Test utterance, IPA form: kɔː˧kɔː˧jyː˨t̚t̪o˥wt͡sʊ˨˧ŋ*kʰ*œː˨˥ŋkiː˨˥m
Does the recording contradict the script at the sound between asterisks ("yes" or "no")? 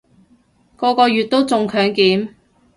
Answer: no